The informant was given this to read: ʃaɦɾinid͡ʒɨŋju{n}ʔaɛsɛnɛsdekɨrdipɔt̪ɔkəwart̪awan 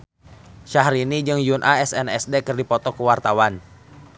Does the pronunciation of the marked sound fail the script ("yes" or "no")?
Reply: no